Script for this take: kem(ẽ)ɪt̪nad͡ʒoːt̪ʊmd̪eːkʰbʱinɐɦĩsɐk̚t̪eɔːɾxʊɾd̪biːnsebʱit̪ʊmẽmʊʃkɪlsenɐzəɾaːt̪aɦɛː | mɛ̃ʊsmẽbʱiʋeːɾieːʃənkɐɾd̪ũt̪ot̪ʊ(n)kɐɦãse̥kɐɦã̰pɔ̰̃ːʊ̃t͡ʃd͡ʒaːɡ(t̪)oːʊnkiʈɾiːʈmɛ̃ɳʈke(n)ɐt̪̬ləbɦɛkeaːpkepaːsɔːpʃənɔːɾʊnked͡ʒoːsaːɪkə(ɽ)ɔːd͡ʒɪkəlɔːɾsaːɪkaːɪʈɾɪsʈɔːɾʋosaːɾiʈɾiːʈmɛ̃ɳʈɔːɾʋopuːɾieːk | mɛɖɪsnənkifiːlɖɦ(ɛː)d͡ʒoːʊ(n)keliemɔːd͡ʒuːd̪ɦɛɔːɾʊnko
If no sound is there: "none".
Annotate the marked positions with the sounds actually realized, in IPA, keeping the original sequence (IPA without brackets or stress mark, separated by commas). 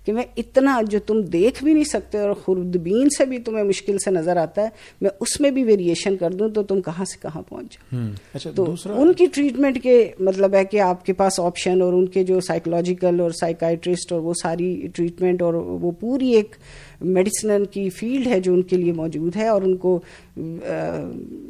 ɛ̃, m, t̪, m, l, ɛ, n